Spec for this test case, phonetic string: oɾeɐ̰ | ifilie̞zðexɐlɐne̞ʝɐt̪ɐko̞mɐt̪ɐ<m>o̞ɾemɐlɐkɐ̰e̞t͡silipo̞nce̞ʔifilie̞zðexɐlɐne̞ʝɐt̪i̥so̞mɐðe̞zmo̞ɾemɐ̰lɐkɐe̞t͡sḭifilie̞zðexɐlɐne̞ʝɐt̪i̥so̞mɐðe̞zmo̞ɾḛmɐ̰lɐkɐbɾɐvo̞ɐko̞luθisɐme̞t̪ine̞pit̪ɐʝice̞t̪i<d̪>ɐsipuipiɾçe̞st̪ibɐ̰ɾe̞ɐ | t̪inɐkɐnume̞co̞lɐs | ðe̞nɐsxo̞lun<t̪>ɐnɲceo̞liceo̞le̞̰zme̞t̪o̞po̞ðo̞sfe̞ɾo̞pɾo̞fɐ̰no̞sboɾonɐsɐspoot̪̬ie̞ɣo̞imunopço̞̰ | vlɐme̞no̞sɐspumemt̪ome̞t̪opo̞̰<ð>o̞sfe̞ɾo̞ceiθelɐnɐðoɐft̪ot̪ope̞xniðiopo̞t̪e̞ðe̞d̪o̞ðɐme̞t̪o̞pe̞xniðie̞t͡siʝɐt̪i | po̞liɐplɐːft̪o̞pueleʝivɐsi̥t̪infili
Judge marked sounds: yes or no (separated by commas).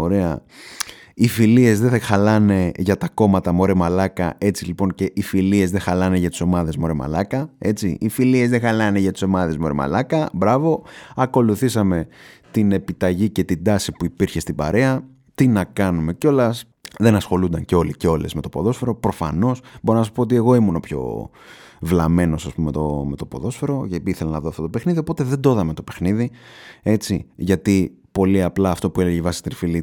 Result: yes, yes, no, yes